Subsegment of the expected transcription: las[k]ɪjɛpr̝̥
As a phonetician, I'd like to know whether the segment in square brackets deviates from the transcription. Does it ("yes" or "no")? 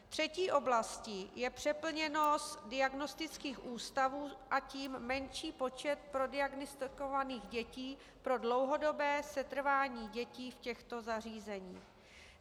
yes